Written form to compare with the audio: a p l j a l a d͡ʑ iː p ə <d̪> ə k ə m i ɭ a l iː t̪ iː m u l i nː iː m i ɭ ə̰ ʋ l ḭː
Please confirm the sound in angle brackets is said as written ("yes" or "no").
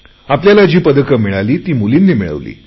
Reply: yes